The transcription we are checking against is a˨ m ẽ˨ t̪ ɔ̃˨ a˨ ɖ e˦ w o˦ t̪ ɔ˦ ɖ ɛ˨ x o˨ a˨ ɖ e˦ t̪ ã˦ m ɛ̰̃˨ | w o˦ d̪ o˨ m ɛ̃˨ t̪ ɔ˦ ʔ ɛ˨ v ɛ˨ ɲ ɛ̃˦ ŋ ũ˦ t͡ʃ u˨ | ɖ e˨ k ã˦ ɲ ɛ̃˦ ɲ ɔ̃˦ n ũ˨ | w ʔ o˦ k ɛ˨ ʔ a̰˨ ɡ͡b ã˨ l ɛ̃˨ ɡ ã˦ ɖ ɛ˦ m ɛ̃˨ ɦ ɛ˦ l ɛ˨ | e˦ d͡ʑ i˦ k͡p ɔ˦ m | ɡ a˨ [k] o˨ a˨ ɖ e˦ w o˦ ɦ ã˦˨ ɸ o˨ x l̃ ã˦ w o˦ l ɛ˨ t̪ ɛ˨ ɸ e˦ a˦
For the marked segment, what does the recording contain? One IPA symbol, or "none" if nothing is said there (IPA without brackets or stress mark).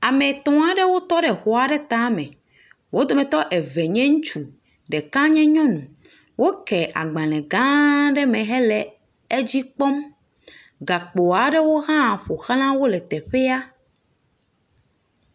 k͡p